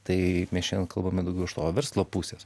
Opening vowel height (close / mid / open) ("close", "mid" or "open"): open